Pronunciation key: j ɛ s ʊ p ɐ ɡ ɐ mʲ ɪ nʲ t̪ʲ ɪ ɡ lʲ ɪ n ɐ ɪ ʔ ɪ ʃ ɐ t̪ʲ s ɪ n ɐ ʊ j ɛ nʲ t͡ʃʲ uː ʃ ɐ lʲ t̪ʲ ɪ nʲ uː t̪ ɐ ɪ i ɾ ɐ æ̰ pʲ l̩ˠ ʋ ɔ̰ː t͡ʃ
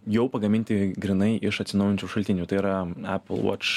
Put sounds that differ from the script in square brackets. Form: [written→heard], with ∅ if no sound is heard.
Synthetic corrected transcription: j ɛ [s→∅] ʊ p ɐ ɡ ɐ mʲ ɪ nʲ t̪ʲ ɪ ɡ [lʲ→ɾʲ] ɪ n ɐ ɪ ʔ ɪ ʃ ɐ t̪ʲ s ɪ n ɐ ʊ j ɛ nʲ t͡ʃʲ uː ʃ ɐ lʲ t̪ʲ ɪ nʲ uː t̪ ɐ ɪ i ɾ ɐ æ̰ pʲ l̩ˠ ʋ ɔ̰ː t͡ʃ